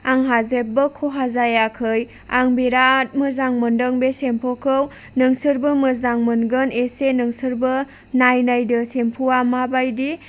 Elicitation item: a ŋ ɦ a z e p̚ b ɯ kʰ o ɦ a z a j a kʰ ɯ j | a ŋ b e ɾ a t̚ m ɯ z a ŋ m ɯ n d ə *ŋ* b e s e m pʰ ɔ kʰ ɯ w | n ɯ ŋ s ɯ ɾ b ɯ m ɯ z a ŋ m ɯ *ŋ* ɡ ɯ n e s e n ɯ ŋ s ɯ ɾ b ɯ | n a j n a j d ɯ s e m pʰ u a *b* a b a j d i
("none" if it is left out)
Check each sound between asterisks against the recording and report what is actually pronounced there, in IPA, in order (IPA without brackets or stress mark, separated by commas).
ŋ, n, m